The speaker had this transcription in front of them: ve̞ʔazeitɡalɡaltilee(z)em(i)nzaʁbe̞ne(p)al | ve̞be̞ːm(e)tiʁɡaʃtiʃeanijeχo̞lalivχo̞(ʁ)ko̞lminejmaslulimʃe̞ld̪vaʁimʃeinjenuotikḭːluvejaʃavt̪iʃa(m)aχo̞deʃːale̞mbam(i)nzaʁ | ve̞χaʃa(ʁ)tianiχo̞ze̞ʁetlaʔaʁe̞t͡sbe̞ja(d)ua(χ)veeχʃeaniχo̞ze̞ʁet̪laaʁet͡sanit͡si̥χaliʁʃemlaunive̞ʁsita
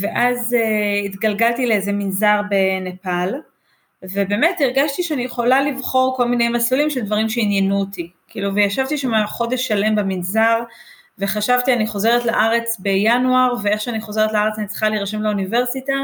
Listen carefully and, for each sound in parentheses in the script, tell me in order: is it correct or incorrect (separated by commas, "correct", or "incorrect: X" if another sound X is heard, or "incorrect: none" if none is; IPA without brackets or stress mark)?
correct, correct, correct, correct, correct, correct, correct, incorrect: v, incorrect: n, incorrect: ʁ